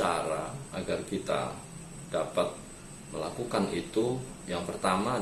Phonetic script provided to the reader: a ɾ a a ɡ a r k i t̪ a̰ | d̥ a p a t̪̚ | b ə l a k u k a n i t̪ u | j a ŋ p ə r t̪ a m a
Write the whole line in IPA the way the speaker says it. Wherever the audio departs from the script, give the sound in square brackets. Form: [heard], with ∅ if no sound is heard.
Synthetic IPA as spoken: a ɾ a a ɡ a r k i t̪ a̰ | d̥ a p a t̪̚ | [m] ə l a k u k a n i t̪ u | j a ŋ p ə r t̪ a m a